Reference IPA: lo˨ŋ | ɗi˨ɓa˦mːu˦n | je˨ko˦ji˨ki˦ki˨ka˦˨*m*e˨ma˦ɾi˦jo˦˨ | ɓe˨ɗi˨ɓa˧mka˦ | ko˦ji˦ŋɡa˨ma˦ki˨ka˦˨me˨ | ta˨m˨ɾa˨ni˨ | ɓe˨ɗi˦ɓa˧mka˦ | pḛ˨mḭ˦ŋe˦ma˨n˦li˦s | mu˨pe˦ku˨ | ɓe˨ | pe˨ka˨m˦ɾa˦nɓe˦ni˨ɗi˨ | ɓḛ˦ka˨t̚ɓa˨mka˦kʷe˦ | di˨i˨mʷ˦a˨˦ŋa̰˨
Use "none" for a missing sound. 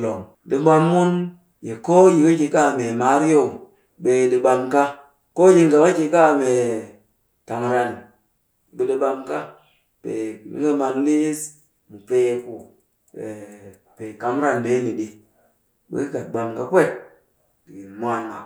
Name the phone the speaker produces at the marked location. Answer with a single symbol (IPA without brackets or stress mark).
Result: m